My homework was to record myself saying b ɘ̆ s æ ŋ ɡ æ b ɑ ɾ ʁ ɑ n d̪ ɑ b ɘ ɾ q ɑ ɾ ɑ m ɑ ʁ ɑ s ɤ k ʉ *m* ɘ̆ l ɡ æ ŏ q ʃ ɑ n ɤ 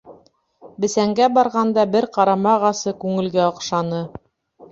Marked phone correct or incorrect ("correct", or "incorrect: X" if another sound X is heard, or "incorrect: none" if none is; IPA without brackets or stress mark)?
incorrect: ŋ